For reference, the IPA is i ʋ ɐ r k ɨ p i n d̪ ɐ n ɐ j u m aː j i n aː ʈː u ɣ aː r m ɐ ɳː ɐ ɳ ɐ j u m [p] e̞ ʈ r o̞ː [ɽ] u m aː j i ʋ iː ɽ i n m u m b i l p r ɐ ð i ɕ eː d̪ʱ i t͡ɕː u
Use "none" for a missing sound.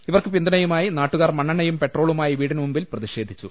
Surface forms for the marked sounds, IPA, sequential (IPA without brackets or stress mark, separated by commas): p, ɭ